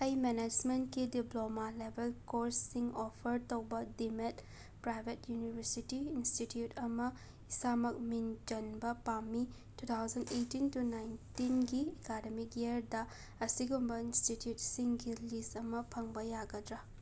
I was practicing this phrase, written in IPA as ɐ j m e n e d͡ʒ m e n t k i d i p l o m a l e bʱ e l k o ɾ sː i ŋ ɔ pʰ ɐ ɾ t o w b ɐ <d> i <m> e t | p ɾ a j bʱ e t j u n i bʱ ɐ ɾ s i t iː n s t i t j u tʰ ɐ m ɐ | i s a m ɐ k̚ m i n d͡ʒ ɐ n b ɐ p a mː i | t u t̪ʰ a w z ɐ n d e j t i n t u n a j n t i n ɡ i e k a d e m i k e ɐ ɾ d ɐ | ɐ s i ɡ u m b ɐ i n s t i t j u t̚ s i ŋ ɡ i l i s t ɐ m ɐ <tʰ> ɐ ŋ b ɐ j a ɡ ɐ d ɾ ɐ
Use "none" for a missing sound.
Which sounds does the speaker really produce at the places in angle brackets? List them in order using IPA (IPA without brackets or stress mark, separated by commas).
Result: d, m, pʰ